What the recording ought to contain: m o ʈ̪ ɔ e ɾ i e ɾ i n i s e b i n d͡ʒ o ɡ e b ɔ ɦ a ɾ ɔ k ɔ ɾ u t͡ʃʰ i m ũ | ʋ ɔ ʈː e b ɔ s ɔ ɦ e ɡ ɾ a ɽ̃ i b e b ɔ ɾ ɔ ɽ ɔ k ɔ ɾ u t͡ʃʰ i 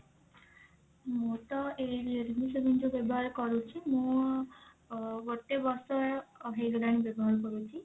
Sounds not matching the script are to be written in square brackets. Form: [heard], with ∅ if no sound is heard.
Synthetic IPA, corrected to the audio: m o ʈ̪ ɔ e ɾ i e ɾ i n i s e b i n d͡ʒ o [b] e b ɔ ɦ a ɾ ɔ k ɔ ɾ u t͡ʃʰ i m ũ | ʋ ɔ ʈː e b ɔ s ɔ ɦ e ɡ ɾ a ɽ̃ i b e b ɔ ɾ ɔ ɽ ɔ k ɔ ɾ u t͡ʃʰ i